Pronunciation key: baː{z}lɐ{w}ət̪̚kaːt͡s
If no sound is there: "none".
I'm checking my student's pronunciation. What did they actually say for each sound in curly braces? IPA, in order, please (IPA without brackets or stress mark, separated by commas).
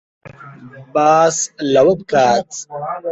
s, w